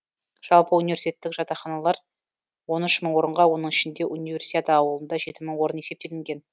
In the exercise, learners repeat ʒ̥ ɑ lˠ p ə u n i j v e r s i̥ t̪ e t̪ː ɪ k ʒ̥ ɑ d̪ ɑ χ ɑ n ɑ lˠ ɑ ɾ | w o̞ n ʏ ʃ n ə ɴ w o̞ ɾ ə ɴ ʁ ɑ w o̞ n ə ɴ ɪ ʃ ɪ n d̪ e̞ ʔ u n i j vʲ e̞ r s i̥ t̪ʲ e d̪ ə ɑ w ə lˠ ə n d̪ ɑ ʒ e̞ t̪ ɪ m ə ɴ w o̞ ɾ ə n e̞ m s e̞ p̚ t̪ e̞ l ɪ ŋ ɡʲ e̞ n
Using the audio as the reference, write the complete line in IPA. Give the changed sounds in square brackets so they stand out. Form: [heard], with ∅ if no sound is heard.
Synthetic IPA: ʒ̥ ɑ lˠ p ə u n i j v e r s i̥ t̪ e t̪ː ɪ k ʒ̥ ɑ [t̪] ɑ χ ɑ n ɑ lˠ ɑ ɾ | w o̞ n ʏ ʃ [m] ə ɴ w o̞ ɾ ə ɴ ʁ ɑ w o̞ n ə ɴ ɪ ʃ ɪ n d̪ e̞ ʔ u n i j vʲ e̞ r s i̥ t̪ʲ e [t̪] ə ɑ w ə lˠ ə n d̪ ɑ ʒ e̞ t̪ ɪ m ə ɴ w o̞ ɾ ə n e̞ [∅] s e̞ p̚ t̪ e̞ l ɪ ŋ ɡʲ e̞ n